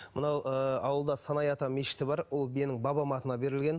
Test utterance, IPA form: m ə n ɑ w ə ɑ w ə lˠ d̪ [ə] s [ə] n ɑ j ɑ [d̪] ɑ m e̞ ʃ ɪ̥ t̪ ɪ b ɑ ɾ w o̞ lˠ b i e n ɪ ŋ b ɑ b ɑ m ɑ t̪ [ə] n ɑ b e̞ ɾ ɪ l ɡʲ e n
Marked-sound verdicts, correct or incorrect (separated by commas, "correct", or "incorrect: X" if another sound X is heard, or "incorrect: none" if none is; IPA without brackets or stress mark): incorrect: ɑ, incorrect: ɑ, incorrect: t̪, correct